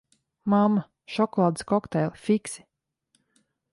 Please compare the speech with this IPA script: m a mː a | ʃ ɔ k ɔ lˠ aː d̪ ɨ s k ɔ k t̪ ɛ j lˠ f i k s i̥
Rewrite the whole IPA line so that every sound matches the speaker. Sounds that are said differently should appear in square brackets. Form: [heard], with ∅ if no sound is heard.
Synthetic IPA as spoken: m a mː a | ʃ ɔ k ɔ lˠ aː d̪ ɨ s k ɔ k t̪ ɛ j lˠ f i k s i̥